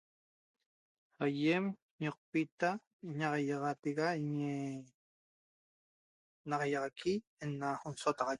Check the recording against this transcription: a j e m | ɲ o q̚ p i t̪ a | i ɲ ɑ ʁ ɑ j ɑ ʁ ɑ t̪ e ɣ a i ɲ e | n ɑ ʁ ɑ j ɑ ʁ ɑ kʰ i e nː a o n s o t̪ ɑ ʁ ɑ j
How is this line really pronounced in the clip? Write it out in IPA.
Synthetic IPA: a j e m | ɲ o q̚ p i t̪ a | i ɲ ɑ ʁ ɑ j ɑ ʁ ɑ t̪ e ɣ a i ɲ e | n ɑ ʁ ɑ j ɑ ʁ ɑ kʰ i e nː a o n s o t̪ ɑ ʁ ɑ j